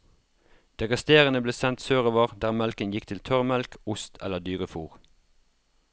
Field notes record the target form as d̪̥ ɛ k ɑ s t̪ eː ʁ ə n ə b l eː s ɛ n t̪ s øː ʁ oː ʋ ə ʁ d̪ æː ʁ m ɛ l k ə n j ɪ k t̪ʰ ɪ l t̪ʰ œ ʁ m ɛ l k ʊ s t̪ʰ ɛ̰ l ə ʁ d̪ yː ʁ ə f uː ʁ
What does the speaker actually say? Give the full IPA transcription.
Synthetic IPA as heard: d̪̥ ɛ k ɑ s t̪ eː ʁ ə n ə b l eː s ɛ n t̪ s øː ʁ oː ʋ ə ʁ d̪ æː ʁ m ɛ l k ə n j ɪ k t̪ʰ ɪ l t̪ʰ œ ʁ m ɛ l k ʊ s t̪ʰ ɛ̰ l ə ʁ d̪ yː ʁ ə f uː ʁ